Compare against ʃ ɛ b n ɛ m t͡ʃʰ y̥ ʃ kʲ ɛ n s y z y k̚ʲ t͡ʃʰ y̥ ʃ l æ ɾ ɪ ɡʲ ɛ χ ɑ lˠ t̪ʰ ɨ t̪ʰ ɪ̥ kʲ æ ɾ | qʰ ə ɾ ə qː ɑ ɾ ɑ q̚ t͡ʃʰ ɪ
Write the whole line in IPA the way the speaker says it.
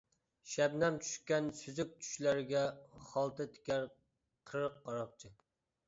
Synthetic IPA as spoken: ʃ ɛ b n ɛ m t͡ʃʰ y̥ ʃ kʲ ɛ n s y z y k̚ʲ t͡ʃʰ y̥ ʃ l æ ɾ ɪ ɡʲ ɛ χ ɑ lˠ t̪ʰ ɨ t̪ʰ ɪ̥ kʲ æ ɾ | qʰ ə ɾ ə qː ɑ ɾ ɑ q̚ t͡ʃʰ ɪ